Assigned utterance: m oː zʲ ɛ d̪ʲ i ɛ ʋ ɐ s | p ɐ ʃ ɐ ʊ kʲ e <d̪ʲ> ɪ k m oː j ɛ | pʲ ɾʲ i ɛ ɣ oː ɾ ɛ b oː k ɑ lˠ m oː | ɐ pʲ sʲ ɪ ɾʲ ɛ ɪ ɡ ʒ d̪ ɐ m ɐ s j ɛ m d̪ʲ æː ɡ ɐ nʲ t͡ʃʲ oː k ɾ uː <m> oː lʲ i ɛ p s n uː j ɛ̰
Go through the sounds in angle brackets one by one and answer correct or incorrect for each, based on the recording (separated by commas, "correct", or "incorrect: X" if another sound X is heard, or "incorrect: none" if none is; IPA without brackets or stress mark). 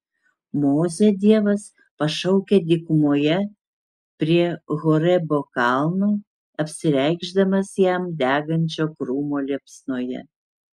correct, correct